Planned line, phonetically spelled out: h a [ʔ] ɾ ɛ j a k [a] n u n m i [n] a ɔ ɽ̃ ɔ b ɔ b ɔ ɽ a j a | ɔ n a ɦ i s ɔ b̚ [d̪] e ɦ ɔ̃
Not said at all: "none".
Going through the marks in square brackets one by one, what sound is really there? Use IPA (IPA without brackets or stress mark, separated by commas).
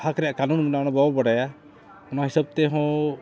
k, a, n, t̪